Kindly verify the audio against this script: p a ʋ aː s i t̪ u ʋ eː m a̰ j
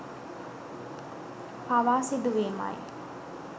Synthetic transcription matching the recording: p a ʋ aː s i d̪ u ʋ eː m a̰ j

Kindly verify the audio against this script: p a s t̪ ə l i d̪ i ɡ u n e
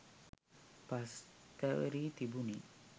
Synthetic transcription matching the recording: p a s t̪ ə ɾ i t̪ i b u n i

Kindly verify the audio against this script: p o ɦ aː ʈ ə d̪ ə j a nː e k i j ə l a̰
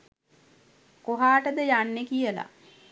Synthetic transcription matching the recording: k o ɦ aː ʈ ə d̪ ə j a nː e k i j ə l a̰

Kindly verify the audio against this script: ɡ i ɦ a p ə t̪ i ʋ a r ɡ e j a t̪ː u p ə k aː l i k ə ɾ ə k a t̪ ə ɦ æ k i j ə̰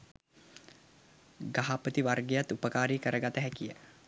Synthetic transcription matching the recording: ɡ a ɦ a p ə t̪ i ʋ a r ɡ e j a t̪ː u p ə k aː ɾ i k ə ɾ ə ɡ a t̪ ə ɦ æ k i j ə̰

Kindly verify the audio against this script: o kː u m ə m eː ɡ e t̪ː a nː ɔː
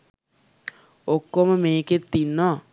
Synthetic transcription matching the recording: o kː o m ə m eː k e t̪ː i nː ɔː

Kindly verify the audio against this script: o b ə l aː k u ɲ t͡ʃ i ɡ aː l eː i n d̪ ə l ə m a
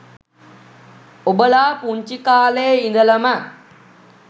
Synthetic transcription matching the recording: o b ə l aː p u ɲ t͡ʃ i k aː l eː i n d̪ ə l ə m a

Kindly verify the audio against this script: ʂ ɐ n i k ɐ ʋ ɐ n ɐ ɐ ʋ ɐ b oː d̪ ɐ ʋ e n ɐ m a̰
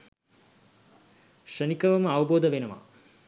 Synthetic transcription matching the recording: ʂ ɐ n i k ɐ ʋ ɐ m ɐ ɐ ʋ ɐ b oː d̪ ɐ ʋ e n ɐ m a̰

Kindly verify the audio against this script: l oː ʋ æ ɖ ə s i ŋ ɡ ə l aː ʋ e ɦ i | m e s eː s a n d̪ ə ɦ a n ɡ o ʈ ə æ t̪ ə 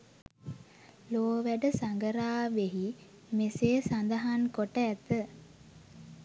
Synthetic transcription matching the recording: l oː ʋ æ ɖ ə s a ŋ ɡ ə ɾ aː ʋ e ɦ i | m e s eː s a n d̪ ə ɦ a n k o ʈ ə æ t̪ ə

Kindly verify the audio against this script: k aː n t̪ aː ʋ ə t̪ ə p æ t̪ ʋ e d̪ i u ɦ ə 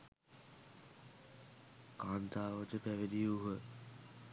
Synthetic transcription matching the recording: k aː n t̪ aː ʋ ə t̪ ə p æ ʋ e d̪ i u ɦ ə

